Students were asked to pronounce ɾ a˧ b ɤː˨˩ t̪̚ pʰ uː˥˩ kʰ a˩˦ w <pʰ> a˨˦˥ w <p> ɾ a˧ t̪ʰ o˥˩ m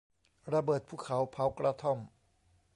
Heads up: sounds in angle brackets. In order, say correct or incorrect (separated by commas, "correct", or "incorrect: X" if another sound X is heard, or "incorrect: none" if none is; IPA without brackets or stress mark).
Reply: correct, incorrect: k